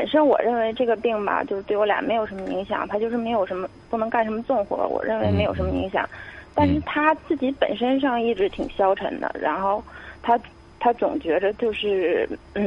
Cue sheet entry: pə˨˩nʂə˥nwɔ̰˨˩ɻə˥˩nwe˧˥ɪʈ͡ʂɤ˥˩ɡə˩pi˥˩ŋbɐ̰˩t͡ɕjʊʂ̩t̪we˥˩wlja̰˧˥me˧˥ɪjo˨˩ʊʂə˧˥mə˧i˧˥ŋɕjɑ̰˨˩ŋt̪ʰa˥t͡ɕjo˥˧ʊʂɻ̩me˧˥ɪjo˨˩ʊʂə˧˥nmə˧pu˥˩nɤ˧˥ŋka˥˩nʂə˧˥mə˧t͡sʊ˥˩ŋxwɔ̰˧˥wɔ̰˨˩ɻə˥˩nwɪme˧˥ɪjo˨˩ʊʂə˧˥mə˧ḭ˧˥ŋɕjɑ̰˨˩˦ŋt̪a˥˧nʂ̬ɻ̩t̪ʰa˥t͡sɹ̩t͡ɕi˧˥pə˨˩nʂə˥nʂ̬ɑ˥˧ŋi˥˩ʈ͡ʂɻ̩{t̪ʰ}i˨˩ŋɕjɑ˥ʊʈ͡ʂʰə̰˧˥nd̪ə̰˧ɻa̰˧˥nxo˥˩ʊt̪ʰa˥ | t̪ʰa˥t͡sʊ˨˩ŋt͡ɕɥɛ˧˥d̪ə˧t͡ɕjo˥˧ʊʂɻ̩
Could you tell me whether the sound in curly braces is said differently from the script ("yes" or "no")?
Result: no